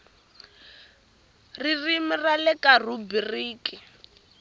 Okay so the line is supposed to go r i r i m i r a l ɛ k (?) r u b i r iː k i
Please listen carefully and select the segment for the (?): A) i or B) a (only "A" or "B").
B